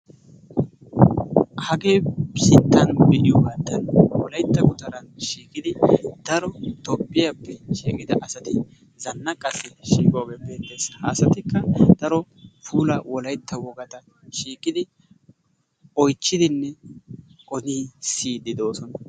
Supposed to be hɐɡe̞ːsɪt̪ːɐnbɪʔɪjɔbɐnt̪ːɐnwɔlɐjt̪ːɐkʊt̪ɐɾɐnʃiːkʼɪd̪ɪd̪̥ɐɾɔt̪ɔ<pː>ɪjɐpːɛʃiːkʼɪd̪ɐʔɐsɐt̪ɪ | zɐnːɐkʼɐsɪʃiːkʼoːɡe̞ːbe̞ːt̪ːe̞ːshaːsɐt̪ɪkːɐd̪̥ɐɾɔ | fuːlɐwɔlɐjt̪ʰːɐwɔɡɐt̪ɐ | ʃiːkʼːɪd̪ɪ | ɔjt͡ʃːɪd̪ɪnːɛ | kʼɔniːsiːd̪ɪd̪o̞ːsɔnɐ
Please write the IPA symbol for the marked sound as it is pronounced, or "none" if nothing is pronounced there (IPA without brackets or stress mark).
pː